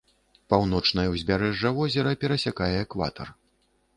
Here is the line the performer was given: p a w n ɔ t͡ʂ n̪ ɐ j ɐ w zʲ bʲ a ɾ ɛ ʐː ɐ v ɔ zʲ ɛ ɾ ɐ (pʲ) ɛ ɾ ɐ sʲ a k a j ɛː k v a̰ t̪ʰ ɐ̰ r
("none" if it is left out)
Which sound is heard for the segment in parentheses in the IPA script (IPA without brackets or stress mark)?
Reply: pʲ